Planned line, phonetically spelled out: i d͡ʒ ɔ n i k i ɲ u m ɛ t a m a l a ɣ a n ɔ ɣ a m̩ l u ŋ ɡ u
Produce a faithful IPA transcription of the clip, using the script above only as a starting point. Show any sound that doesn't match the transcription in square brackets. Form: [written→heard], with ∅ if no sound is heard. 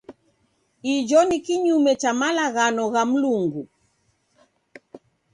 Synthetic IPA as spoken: i d͡ʒ ɔ n i k i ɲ u m ɛ [t→t͡ʃ] a m a l a ɣ a n ɔ ɣ a m̩ l u ŋ ɡ u